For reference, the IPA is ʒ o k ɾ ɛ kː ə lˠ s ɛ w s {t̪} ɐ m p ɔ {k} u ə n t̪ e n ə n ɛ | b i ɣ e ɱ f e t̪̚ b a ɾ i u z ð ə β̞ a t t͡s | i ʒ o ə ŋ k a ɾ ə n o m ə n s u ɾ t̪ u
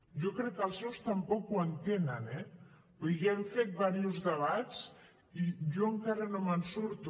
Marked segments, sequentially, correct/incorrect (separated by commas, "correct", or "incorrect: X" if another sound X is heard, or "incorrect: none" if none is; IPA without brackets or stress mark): correct, correct